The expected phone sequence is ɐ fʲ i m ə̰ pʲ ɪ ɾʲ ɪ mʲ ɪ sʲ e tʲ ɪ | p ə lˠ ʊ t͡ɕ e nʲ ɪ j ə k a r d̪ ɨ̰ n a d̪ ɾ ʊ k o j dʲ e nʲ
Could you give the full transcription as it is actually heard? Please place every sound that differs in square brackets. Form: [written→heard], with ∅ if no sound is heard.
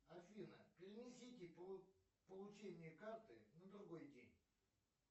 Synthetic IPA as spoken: ɐ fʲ i [m→n] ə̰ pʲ ɪ ɾʲ ɪ [mʲ→nʲ] ɪ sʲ [e→i] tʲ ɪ | p ə lˠ ʊ t͡ɕ e nʲ ɪ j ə k a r [d̪→t̪] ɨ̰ n [a→ə] d̪ ɾ ʊ [k→ɡ] o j dʲ e nʲ